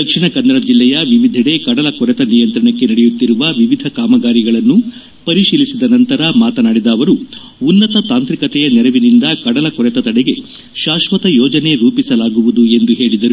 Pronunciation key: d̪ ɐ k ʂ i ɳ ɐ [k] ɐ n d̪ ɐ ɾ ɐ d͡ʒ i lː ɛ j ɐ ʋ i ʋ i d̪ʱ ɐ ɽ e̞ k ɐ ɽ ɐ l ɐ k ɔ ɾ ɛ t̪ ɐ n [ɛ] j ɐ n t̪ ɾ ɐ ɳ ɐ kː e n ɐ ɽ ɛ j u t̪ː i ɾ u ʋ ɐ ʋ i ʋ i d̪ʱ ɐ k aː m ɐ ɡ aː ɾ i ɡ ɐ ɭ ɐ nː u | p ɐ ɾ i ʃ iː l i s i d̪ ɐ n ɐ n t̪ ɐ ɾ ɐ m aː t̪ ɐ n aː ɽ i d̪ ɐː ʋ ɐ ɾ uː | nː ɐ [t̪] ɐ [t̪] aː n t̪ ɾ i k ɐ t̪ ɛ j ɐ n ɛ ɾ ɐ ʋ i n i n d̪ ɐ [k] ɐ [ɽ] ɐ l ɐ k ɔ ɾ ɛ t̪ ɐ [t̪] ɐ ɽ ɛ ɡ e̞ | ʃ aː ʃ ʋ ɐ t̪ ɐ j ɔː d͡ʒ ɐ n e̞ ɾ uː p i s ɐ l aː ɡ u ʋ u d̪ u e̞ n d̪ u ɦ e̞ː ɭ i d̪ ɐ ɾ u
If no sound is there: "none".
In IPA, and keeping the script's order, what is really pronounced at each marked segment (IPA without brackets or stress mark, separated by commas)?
k, i, t̪, t̪, k, ɽ, t̪